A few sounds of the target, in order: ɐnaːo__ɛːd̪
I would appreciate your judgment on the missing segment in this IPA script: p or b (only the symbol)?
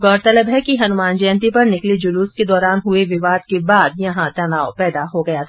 p